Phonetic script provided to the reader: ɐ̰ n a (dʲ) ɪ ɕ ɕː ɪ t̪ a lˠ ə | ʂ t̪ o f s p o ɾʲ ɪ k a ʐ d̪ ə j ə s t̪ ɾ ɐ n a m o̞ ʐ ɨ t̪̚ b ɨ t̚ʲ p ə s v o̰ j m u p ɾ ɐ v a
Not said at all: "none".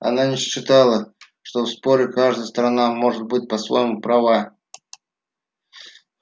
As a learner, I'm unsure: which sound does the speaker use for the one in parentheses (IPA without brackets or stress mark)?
nʲ